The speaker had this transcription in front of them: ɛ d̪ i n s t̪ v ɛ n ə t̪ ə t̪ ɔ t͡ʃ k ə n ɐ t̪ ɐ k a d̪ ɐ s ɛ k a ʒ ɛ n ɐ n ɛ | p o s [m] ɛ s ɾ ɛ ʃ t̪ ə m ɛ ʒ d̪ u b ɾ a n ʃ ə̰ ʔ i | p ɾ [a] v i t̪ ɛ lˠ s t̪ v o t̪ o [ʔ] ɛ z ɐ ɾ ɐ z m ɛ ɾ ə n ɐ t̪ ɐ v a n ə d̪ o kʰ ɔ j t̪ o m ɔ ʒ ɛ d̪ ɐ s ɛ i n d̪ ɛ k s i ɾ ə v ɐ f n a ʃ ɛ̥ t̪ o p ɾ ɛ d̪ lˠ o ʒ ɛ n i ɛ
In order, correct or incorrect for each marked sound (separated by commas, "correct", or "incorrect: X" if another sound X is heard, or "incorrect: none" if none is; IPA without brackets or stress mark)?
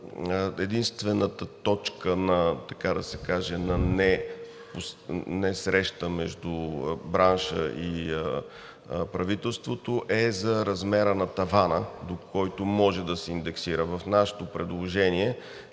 incorrect: n, incorrect: ɐ, correct